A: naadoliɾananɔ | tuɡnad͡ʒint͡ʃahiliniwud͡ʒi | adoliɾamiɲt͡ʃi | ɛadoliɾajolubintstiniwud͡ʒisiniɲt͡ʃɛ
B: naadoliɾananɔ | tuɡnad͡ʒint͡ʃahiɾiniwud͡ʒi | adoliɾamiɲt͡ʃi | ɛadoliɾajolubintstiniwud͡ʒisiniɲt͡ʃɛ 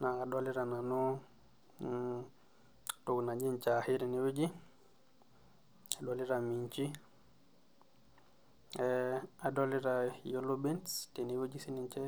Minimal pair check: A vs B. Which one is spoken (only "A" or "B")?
B